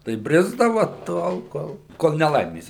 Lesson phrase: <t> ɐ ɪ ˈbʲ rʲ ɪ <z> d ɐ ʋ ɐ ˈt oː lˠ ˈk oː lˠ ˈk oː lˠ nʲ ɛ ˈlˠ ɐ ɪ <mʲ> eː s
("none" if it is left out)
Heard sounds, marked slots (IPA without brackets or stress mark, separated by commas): t, z, mʲ